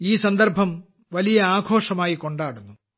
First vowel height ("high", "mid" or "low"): high